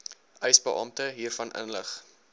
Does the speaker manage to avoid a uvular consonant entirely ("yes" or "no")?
no